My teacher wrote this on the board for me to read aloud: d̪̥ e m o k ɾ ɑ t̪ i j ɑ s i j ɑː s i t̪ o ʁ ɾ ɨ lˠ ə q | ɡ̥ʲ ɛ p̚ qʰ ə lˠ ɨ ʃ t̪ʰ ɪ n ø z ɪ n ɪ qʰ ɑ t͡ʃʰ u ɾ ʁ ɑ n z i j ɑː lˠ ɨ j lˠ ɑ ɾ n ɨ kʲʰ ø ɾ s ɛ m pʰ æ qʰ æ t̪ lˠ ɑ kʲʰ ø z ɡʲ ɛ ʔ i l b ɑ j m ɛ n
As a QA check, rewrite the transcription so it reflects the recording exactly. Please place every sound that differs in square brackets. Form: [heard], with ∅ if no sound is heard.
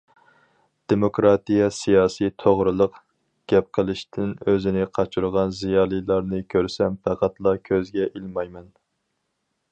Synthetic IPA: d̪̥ e m o k ɾ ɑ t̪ i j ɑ s i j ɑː s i [t̪ʰ] o ʁ ɾ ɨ lˠ ə q | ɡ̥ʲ ɛ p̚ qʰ ə lˠ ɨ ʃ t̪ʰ ɪ n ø z ɪ n ɪ qʰ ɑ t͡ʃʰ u ɾ ʁ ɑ n z i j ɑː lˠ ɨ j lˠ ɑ ɾ n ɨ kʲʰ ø ɾ s ɛ m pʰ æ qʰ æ t̪ lˠ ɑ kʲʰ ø z ɡʲ ɛ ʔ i l [m] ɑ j m ɛ n